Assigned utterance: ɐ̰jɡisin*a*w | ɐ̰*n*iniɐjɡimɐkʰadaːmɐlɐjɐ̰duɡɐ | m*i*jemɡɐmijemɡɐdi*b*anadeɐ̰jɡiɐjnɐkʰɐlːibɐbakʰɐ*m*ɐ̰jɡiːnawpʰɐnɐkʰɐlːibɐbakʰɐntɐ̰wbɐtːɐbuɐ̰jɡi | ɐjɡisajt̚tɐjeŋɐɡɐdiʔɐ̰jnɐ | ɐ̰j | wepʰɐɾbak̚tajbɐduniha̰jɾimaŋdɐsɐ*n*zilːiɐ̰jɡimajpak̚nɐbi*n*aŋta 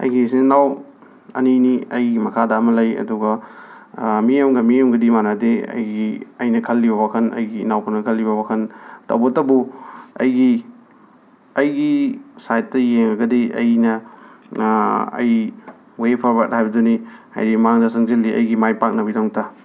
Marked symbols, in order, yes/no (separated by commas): yes, yes, yes, no, no, no, no